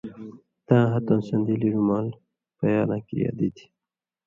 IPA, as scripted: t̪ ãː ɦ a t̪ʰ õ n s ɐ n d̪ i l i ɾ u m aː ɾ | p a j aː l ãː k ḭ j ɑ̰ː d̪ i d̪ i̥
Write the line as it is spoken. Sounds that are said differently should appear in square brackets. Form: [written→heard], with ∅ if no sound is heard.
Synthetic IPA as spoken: t̪ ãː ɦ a [t̪ʰ→t̪] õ n s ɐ n d̪ i l i ɾ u m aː [ɾ→l] | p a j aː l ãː k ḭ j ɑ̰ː d̪ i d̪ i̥